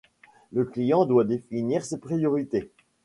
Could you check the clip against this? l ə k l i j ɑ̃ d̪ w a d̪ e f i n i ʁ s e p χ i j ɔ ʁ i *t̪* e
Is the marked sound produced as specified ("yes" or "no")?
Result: yes